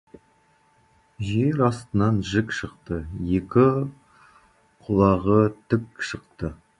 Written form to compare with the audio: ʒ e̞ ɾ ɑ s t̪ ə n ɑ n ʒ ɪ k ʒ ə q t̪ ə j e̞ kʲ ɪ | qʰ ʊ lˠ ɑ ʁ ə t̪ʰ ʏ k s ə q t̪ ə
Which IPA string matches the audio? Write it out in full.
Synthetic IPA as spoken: ʒ e̞ ɾ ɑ s t̪ ə n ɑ n ʒ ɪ k ʃ ə q t̪ ə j e̞ kʲ ɪ | qʰ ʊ lˠ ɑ ʁ ə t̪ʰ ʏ k ʃ ə q t̪ ə